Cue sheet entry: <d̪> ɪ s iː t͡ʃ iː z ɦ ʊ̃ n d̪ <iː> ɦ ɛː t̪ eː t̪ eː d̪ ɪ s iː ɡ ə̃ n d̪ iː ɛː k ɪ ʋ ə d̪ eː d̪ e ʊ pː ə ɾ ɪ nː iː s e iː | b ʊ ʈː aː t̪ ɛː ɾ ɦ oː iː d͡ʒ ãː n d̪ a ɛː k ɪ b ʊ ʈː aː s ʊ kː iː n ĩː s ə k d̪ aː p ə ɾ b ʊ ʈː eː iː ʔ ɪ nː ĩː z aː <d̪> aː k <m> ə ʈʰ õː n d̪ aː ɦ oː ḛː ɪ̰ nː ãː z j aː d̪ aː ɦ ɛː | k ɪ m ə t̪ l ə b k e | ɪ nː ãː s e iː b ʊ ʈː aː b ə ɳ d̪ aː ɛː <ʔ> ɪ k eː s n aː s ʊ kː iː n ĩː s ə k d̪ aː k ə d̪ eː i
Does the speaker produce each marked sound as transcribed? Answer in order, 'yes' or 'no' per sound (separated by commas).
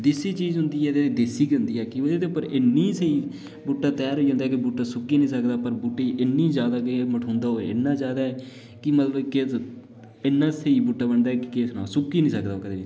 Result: yes, yes, yes, yes, no